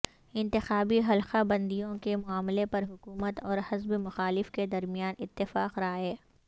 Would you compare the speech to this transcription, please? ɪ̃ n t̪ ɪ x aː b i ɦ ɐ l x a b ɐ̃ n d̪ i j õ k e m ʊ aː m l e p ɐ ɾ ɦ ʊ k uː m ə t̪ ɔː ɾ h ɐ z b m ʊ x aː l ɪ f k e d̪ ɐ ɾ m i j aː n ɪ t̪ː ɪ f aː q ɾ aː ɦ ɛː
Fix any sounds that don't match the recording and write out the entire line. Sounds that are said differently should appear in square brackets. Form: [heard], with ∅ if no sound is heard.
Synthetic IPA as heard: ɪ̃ n t̪ ɪ x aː b i ɦ ɐ l x a b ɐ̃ n d̪ i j õ k e m ʊ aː m l e p ɐ ɾ ɦ ʊ k uː m ə t̪ ɔː ɾ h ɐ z b m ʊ x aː l ɪ f k e d̪ ɐ ɾ m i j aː n ɪ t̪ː ɪ f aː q ɾ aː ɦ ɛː